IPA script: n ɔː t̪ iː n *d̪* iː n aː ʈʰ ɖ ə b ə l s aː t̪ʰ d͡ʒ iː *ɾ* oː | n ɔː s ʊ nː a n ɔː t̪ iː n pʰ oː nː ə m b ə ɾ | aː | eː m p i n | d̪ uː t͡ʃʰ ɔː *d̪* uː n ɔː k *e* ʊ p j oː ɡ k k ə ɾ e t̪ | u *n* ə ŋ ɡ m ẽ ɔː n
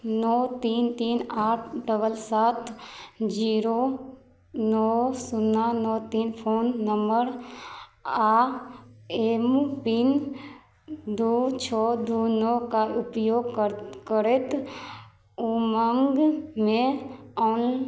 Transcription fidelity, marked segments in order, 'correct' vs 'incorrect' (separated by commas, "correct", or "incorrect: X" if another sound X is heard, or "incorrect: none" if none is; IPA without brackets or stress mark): incorrect: t̪, correct, correct, incorrect: a, incorrect: m